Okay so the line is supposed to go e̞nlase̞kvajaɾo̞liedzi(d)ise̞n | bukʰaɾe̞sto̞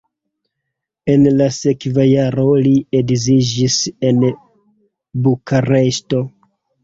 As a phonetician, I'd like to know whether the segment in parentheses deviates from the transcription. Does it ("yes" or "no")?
yes